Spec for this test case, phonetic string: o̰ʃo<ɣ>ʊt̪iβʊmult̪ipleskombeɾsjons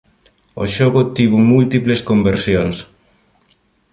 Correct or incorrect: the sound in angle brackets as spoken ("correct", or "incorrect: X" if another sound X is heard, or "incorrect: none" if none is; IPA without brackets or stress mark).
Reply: correct